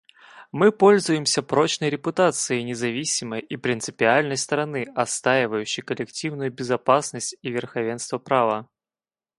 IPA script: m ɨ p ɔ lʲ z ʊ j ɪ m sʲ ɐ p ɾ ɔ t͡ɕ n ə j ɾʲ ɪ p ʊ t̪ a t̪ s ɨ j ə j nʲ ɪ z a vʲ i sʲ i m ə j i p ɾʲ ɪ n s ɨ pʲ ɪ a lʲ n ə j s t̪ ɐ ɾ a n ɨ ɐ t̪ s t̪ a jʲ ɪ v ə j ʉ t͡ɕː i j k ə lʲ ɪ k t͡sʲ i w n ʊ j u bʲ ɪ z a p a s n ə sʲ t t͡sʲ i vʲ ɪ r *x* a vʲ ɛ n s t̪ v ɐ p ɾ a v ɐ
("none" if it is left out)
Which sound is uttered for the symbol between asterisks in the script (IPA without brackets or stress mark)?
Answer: x